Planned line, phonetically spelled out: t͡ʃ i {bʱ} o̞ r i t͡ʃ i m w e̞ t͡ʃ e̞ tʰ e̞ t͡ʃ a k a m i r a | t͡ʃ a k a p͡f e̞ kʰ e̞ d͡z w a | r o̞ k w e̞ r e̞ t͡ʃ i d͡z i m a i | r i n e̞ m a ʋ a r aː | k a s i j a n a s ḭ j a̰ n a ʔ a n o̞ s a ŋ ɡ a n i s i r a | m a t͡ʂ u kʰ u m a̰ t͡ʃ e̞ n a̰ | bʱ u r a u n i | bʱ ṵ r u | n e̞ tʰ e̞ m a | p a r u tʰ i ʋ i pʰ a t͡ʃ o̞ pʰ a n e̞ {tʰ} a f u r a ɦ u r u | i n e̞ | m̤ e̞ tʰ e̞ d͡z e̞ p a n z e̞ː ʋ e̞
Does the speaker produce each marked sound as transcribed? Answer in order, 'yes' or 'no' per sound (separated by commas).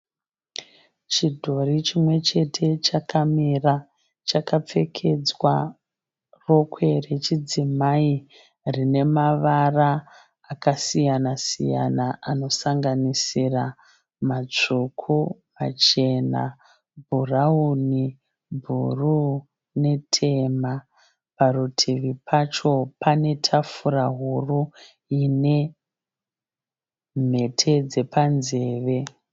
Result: no, yes